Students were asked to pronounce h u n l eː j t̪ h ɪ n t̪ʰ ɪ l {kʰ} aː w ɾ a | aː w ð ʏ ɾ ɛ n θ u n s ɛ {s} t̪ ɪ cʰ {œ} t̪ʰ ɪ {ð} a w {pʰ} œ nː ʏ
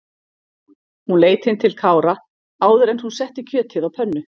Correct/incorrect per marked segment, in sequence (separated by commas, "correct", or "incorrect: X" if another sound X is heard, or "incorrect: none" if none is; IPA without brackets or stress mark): correct, incorrect: h, incorrect: œː, correct, correct